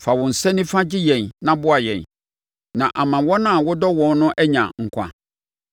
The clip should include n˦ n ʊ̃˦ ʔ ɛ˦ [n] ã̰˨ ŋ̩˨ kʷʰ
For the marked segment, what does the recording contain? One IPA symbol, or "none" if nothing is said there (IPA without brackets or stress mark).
ɲ